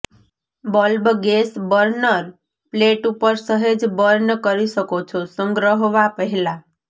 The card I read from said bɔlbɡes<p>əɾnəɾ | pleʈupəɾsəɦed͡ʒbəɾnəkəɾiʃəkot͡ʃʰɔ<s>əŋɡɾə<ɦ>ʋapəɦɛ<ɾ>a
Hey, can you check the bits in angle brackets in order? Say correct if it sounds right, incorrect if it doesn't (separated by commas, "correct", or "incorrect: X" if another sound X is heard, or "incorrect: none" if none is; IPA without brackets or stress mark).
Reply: incorrect: b, correct, correct, incorrect: l